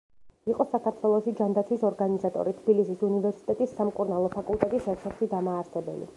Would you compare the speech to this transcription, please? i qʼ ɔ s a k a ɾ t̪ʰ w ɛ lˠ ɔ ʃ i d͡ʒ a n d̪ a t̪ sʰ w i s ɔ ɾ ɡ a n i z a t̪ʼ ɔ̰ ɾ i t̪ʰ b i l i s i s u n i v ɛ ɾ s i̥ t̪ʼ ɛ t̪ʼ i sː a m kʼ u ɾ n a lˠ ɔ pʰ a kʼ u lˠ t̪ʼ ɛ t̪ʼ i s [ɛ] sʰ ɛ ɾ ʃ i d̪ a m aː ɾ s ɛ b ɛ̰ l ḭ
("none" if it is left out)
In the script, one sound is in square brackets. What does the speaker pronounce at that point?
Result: ɛ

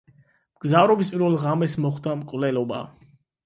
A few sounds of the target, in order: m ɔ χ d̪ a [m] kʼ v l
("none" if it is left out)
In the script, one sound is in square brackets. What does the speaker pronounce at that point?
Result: m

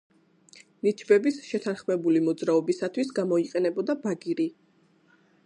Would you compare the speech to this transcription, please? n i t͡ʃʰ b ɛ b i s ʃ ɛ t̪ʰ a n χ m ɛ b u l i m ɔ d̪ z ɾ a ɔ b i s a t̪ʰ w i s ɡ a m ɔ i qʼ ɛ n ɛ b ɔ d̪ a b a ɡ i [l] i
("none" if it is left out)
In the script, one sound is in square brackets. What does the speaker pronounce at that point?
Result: ɾ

